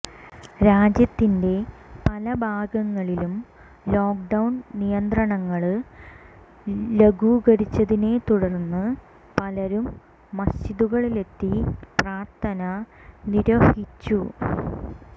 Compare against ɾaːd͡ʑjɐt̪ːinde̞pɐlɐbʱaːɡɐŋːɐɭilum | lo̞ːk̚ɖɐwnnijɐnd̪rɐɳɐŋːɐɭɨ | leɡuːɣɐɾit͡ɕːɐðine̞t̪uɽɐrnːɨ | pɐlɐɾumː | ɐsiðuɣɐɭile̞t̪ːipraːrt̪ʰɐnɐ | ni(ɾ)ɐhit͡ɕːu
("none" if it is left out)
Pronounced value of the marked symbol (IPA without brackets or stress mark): ɾ